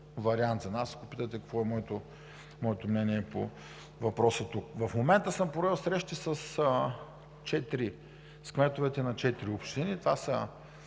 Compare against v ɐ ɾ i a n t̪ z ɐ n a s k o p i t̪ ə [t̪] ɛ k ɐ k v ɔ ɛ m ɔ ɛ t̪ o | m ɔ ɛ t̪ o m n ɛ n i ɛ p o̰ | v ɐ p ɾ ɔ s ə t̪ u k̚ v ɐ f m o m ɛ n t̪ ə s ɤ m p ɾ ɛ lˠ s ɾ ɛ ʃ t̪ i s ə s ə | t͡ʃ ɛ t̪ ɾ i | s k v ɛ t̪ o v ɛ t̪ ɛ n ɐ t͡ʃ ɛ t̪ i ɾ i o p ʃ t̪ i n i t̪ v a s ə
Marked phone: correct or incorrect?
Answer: correct